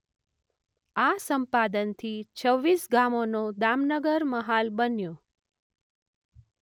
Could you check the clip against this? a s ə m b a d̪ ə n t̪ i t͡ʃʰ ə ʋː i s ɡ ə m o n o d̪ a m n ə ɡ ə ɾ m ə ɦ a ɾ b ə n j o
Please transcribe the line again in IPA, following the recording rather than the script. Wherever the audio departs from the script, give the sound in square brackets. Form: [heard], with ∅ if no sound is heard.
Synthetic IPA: a s ə m [p] a d̪ ə n [t̪ʰ] i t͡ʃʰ ə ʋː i s ɡ [a] m o n o d̪ a m n ə ɡ ə ɾ m ə ɦ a [l] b ə n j o